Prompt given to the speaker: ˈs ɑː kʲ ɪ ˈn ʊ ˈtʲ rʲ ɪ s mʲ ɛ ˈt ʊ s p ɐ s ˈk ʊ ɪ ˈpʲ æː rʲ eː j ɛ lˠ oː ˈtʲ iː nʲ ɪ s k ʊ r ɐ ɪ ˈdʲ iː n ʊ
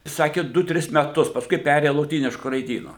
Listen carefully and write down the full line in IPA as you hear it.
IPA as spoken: ˈs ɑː kʲ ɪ ˈd ʊ ˈtʲ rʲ ɪ s mʲ ɛ ˈt ʊ s p ɐ s ˈk ʊ ɪ ˈpʲ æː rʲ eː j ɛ lˠ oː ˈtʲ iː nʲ ɪ ʃ k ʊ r ɐ ɪ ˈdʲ iː n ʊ